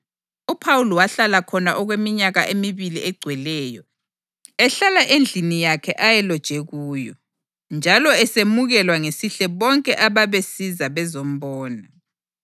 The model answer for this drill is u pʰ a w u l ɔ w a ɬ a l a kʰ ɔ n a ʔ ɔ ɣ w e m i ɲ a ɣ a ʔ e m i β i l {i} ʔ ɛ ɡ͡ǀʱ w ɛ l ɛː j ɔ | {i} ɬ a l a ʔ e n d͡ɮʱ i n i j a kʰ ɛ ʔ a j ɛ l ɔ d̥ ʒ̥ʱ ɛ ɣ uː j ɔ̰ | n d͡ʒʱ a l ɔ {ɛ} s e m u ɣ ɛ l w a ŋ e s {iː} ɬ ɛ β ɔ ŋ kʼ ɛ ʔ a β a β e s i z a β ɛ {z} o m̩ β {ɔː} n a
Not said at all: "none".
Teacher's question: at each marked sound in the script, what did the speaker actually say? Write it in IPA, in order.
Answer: i, ɛ, ɛ, i, z, ɔː

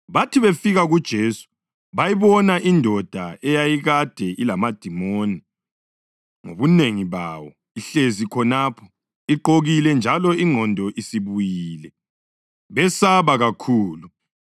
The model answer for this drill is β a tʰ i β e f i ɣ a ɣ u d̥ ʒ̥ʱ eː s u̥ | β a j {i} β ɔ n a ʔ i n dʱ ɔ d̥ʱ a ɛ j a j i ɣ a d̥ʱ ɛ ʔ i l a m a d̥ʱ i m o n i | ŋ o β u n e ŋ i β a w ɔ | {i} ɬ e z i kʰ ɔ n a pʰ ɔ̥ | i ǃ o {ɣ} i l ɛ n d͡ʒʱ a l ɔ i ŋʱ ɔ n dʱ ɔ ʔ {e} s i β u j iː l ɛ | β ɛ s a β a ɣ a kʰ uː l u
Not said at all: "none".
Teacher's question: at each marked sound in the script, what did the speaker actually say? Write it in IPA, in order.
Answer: i, i, ɣ, i

